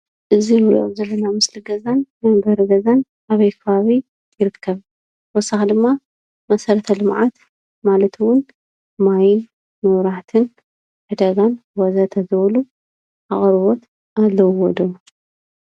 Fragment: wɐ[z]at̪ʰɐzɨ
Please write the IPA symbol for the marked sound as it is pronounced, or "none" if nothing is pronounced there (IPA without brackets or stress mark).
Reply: z